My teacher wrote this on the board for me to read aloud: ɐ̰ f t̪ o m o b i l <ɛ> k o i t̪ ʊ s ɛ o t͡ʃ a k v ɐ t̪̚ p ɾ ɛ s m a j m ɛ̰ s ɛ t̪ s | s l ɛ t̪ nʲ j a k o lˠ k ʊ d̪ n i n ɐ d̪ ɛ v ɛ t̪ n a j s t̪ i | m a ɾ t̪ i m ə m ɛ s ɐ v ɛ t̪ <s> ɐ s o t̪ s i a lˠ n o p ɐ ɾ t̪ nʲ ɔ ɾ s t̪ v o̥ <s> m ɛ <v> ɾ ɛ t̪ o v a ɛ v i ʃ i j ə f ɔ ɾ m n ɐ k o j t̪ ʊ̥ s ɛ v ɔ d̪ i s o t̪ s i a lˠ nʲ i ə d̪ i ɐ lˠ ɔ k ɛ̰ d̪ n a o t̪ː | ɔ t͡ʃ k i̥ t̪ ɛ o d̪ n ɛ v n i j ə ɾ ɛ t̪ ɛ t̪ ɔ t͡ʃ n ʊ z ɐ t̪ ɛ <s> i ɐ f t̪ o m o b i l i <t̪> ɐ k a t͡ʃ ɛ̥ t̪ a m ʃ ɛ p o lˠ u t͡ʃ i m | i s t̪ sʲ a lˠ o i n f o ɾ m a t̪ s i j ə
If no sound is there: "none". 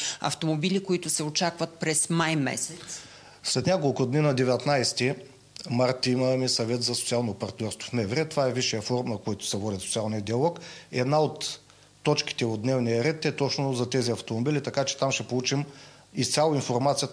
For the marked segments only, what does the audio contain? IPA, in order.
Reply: i, z, f, v, z, t̪

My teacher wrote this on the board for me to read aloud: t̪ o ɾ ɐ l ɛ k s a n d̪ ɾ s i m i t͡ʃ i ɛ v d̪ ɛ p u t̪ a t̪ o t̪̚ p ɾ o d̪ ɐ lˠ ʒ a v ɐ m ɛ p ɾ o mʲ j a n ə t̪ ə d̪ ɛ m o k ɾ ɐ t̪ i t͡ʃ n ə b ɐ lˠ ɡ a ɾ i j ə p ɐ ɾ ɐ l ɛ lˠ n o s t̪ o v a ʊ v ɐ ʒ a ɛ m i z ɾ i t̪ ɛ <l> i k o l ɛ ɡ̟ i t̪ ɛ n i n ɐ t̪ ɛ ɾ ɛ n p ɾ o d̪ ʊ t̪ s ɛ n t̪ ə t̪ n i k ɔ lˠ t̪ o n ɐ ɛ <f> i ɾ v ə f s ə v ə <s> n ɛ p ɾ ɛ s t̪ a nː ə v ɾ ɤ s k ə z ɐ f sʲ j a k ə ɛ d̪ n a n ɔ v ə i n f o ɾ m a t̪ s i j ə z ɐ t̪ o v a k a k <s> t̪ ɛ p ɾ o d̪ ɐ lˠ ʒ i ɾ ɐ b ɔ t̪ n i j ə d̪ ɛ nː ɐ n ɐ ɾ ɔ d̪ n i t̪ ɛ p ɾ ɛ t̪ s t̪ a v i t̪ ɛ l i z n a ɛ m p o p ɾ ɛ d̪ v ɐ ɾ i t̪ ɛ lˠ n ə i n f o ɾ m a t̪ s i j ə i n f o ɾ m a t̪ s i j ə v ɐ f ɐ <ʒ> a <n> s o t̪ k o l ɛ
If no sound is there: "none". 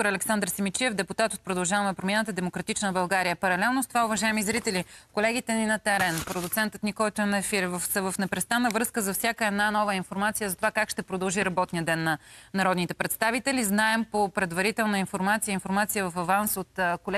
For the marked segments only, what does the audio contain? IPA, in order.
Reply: l, f, f, ʃ, v, n

